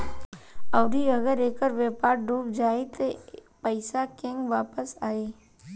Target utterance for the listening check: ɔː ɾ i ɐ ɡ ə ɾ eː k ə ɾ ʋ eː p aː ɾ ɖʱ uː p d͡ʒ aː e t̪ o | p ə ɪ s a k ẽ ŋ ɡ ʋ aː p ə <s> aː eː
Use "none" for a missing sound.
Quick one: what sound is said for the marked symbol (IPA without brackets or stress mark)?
s